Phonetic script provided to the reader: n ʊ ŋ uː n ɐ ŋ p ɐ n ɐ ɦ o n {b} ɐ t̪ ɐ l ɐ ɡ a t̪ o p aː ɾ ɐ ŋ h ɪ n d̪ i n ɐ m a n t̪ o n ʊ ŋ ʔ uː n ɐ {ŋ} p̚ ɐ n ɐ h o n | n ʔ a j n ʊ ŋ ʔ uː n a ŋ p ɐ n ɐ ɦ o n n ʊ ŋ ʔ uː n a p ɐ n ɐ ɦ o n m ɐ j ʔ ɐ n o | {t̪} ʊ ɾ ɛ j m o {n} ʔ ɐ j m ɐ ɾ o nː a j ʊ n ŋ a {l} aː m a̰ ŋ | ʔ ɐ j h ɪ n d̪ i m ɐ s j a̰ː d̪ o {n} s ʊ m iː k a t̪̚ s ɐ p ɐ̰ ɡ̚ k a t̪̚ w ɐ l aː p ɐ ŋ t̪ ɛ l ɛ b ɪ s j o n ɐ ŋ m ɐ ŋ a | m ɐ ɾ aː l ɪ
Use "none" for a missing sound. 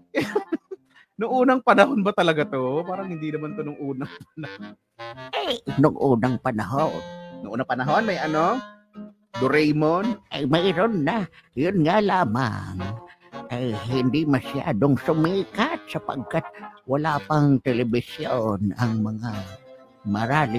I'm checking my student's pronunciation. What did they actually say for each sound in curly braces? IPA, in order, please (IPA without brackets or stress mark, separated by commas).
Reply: b, ŋ, d̪, n, l, ŋ